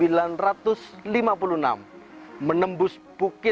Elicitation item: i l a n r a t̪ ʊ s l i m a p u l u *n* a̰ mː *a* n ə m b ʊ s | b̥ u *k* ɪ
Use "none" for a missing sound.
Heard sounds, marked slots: n, ə, k

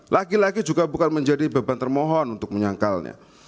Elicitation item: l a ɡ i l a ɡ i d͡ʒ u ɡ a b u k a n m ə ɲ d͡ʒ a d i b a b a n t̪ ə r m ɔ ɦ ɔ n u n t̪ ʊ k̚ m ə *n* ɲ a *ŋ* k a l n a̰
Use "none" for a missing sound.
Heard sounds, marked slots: none, ŋ

